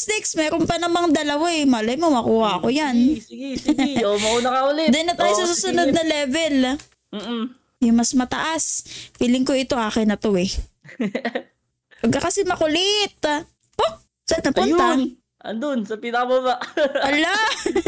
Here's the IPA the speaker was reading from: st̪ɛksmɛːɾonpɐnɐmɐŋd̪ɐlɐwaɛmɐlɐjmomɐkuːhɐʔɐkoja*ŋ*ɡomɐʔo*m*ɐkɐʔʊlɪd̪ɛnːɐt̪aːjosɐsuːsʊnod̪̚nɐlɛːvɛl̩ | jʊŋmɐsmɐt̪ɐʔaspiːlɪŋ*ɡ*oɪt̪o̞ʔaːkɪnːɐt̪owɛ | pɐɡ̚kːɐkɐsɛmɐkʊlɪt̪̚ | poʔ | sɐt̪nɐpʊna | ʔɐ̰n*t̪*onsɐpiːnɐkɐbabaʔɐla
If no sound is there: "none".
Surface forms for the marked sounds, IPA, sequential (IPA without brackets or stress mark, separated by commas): n, n, k, d̪